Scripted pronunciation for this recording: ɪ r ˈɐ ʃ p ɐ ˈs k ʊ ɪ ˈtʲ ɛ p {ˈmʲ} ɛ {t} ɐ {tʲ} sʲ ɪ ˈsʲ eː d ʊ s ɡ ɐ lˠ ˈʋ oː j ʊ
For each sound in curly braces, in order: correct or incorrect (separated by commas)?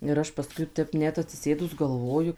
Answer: incorrect, correct, correct